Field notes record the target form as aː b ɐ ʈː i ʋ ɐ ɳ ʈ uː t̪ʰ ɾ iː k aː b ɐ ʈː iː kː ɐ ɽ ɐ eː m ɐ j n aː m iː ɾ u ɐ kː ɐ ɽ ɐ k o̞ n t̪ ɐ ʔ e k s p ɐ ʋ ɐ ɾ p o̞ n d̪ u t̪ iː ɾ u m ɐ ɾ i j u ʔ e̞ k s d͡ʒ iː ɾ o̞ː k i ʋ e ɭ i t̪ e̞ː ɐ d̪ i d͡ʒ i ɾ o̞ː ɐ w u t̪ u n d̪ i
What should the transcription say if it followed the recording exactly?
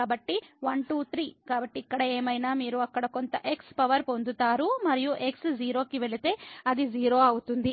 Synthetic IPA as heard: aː b ɐ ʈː i ʋ ɐ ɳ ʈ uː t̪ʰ ɾ iː k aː b ɐ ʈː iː kː ɐ ɽ ɐ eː m ɐ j n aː m iː ɾ u ɐ kː ɐ ɽ ɐ k o̞ n t̪ ɐ ʔ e k s p ɐ ʋ ɐ ɾ p o̞ n d̪ u t̪ aː ɾ u m ɐ ɾ i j u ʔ e̞ k s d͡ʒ iː ɾ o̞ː k i ʋ e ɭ i t̪ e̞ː ɐ d̪ i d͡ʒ iː ɾ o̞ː ɐ w u t̪ u n d̪ i